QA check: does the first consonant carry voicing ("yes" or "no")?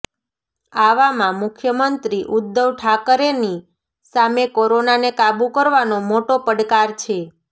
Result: yes